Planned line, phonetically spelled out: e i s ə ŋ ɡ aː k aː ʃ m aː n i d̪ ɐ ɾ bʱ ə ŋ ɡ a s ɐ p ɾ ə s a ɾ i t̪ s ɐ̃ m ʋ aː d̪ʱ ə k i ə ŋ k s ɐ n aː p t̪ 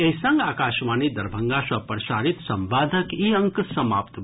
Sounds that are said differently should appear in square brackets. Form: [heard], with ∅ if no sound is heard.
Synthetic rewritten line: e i s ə ŋ ɡ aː k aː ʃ m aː n i d̪ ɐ ɾ bʱ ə ŋ ɡ a s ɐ p ɾ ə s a ɾ i t̪ s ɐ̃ m ʋ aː d̪ʱ ə k i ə ŋ k s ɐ [m] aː p t̪

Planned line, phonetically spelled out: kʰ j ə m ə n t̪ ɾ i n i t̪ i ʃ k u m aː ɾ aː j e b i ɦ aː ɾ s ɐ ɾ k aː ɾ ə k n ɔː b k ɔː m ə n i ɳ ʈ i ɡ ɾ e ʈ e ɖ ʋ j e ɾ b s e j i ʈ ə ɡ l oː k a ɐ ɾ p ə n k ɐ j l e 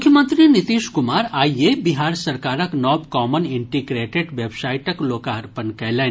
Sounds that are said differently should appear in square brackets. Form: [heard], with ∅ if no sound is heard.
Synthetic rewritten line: kʰ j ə m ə n t̪ ɾ i n i t̪ i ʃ k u m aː ɾ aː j e b i ɦ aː ɾ s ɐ ɾ k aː ɾ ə k n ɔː b k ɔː m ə n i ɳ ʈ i ɡ ɾ e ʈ e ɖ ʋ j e [∅] b s [a] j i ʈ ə [k] l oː k a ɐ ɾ p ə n k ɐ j l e

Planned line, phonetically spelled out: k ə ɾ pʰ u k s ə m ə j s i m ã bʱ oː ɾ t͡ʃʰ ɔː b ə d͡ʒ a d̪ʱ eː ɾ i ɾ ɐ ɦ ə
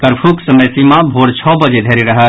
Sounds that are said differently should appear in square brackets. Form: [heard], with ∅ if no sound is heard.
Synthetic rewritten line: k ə ɾ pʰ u k s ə m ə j s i m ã bʱ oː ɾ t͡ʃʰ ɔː b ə d͡ʒ [e] d̪ʱ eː ɾ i ɾ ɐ ɦ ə

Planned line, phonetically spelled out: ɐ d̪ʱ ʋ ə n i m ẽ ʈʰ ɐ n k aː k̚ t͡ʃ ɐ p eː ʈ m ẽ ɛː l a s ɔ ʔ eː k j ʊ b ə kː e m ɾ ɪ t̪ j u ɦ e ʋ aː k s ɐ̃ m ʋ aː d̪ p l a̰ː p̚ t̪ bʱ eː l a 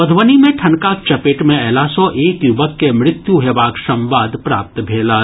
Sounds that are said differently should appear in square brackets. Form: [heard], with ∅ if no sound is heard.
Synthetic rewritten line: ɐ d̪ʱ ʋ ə n i m ẽ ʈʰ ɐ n k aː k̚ t͡ʃ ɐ p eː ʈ m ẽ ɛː l a s ɔ ʔ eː k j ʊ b ə kː e m ɾ ɪ t̪ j u ɦ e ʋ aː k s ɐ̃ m ʋ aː d̪ p [ɾ] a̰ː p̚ t̪ bʱ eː l a

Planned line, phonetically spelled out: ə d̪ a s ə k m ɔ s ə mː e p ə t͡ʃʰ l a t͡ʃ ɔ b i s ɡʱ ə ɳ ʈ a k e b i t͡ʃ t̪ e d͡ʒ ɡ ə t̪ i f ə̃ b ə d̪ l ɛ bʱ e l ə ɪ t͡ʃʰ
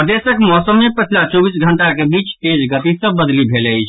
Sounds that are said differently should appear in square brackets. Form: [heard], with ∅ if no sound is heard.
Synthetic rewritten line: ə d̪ [e] s ə k m ɔ s ə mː e p ə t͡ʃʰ l a t͡ʃ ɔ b i s ɡʱ ə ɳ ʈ a k e b i t͡ʃ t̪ e d͡ʒ ɡ ə t̪ i [s] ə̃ b ə d̪ l [i] bʱ e l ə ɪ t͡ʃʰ

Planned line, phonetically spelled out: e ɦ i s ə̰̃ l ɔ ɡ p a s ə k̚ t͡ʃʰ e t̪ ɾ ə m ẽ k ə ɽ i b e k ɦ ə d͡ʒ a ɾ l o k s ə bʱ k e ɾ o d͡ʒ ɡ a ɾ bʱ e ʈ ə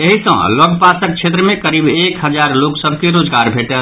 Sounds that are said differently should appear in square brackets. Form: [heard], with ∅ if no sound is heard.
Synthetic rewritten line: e ɦ i s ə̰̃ l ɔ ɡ p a s ə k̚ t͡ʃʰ e t̪ ɾ ə m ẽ k ə [ɾ] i b e k ɦ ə d͡ʒ a ɾ l o k s ə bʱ k e ɾ o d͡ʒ ɡ a ɾ bʱ e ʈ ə

